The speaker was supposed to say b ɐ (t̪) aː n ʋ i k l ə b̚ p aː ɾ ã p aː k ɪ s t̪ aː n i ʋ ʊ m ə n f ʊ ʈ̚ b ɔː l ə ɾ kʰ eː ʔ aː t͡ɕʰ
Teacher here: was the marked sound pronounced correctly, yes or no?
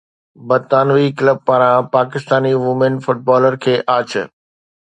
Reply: yes